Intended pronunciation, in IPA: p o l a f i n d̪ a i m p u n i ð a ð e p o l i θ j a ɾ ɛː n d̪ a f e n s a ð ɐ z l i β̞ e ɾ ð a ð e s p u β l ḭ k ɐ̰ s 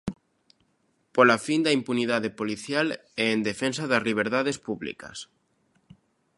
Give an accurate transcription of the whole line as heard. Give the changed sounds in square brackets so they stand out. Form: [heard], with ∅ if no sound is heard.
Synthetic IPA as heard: p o l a f i n d̪ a i m p u n i ð a ð e p o l i θ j a [l] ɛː n d̪ [e] f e n s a ð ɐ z l i β̞ e ɾ ð a ð e s p u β l ḭ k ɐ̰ s